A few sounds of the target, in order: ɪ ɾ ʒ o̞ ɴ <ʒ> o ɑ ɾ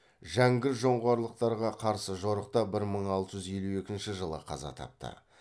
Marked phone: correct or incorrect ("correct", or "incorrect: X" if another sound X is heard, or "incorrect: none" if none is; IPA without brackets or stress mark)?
incorrect: ʁ